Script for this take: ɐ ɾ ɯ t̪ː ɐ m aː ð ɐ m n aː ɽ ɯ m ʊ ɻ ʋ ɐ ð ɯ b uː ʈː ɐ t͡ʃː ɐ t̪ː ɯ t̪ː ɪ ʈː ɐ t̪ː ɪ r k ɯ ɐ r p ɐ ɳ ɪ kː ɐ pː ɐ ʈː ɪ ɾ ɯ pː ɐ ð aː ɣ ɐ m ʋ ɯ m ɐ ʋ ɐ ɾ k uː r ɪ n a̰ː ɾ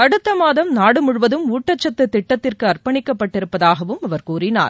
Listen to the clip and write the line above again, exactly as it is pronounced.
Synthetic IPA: ɐ ɽ ɯ t̪ː ɐ m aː ð ɐ m n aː ɽ ɯ m ʊ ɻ ʋ ɐ ð ɯ m uː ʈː ɐ t͡ʃː ɐ t̪ː ɯ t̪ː ɪ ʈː ɐ t̪ː ɪ r k ɯ ɐ r p ɐ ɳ ɪ kː ɐ pː ɐ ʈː ɪ ɾ ɯ pː ɐ ð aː ɣ ɐ ʋ ɯ m ɐ ʋ ɐ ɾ k uː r ɪ n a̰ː ɾ

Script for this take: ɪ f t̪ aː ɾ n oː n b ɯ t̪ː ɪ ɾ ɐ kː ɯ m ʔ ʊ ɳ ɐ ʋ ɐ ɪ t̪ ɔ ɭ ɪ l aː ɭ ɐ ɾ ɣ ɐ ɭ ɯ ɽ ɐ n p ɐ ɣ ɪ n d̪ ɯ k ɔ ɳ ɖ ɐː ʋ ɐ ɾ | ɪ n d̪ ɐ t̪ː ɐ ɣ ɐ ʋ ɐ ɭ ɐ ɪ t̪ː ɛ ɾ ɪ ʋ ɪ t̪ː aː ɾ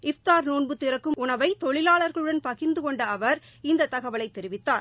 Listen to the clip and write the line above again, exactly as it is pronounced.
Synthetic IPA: ɪ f t̪ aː ɾ n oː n b ɯ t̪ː ɪ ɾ ɐ kː ɯ m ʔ ʊ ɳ ɐ ʋ ɐ ɪ t̪ ɔ ɭ ɪ l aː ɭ ɐ ɾ ɣ ɐ ɭ ɯ ɽ ɐ n p ɐ ɣ ɪ n d̪ ɯ k ɔ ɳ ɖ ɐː ʋ ɐ ɾ | ɪ n d̪ ɐ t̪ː ɐ ɣ ɐ ʋ ɐ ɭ ɐ ɪ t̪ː ɛ ɾ ɪ ʋ ɪ t̪ː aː ɾ

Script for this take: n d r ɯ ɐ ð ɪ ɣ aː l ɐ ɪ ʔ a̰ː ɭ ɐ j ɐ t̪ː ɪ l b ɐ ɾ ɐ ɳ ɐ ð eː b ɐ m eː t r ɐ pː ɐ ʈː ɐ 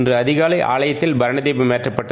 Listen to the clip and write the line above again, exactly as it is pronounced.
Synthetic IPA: n d r ɯ ɐ ð ɪ ɣ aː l ɐ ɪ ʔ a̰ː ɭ ɐ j ɐ t̪ː ɪ l b ɐ ɾ ɐ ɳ ɐ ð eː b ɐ m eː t r ɐ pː ɐ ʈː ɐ

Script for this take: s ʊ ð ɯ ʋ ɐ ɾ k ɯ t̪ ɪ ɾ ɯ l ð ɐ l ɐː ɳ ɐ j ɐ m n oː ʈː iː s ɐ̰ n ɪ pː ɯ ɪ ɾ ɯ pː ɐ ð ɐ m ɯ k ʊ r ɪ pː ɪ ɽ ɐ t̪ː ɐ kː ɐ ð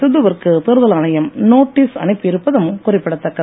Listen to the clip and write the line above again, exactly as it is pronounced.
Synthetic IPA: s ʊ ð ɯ ʋ ɐ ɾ k ɯ t̪ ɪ ɾ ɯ ð ɐ l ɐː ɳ ɐ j ɐ m n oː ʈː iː s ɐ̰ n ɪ pː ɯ ɪ ɾ ɯ pː ɐ ð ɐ m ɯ k ʊ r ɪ pː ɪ ɽ ɐ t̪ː ɐ kː ɐ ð

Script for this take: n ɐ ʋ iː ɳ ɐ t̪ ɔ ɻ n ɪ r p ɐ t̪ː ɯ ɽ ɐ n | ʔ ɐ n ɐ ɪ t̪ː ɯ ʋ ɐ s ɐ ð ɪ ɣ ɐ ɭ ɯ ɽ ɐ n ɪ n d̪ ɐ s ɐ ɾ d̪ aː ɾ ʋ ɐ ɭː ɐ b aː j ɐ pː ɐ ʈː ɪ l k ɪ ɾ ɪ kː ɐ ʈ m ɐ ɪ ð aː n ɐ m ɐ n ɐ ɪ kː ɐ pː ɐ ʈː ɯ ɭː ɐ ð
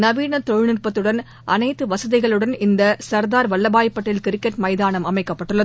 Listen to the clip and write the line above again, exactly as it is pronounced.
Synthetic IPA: n ɐ ʋ iː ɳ ɐ t̪ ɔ ɻ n ɪ r p ɐ t̪ː ɯ ɽ ɐ n | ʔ ɐ n ɐ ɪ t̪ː ɯ ʋ ɐ s ɐ ð ɪ ɣ ɐ ɭ ɯ ɽ ɐ n ɪ n d̪ ɐ s ɐ ɾ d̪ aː ɾ ʋ ɐ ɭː ɐ b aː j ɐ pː ɐ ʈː ɪ l k ɪ ɾ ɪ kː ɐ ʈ m ɐ ɪ ð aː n ɐ m ɐ m ɐ ɪ kː ɐ pː ɐ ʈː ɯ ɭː ɐ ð

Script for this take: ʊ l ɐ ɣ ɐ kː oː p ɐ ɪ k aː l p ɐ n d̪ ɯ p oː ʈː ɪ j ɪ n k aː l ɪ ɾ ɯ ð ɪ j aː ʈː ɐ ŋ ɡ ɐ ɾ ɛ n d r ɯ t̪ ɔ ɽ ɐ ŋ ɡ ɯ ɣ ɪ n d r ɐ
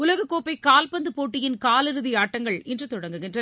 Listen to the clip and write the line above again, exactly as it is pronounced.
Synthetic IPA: ʊ l ɐ ɣ ɐ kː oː p ɐ ɪ k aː l p ɐ n d̪ ɯ p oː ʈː ɪ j ɪ n k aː l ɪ ɾ ɯ ð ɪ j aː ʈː ɐ ŋ ɡ ɐ ɭ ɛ n d r ɯ t̪ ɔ ɽ ɐ ŋ ɡ ɯ ɣ ɪ n d r ɐ

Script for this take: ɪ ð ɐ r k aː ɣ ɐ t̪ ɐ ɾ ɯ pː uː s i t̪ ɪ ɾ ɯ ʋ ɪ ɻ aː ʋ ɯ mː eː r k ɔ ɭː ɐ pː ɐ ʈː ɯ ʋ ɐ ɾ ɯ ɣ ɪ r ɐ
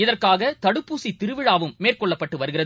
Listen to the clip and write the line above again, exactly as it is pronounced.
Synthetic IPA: ɪ ð ɐ r k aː ɣ ɐ t̪ ɐ ɽ ɯ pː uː s i t̪ ɪ ɾ ɯ ʋ ɪ ɻ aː ʋ ɯ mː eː r k ɔ ɭː ɐ pː ɐ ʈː ɯ ʋ ɐ ɾ ɯ ɣ ɪ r ɐ

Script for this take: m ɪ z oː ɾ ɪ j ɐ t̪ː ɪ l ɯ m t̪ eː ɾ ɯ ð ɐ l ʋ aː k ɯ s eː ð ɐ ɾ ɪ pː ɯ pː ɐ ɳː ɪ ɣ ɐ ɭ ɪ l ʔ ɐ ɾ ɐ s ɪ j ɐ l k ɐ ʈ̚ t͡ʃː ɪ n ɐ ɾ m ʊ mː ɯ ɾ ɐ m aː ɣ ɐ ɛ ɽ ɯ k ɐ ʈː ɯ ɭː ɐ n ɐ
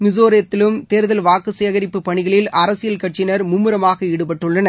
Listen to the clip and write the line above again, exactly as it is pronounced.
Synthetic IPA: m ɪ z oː ɾ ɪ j ɐ t̪ː ɪ l ɯ m t̪ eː ɾ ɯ ð ɐ l ʋ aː k ɯ s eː ɣ ɐ ɾ ɪ pː ɯ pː ɐ ɳ ɪ ɣ ɐ ɭ ɪ l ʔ ɐ ɾ ɐ s ɪ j ɐ l k ɐ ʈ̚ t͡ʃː ɪ n ɐ ɾ m ʊ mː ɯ ɾ ɐ m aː ɣ ɐ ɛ ɽ ɯ p ɐ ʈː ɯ ɭː ɐ n ɐ

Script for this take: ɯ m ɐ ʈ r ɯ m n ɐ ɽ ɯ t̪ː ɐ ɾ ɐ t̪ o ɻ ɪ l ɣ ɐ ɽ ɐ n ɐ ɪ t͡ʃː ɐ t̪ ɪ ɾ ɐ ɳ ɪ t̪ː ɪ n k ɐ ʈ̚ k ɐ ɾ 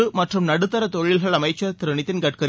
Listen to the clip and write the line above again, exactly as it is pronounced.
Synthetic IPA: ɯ m ɐ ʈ r ɯ m n ɐ ɽ ɯ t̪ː ɐ ɾ ɐ t̪ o ɻ ɪ l ɣ ɐ ɭ ɐ m ɐ ɪ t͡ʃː ɐ t̪ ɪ ɾ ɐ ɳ ɪ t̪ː ɪ n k ɐ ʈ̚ k ɐ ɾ

